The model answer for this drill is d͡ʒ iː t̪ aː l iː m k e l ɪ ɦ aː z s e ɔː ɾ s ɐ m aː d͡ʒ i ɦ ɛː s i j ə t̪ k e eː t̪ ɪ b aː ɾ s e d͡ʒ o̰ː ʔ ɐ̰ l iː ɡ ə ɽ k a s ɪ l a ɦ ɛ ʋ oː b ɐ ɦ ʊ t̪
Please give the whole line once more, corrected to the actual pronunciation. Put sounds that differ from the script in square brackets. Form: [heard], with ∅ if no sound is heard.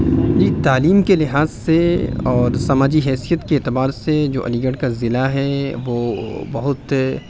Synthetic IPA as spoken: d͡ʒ iː t̪ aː l iː m k e l ɪ ɦ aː z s e ɔː ɾ s ɐ m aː d͡ʒ i ɦ ɛː s i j ə t̪ k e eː t̪ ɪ b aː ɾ s e d͡ʒ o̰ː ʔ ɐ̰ l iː ɡ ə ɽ k a [z] ɪ l a ɦ ɛ ʋ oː b ɐ ɦ ʊ t̪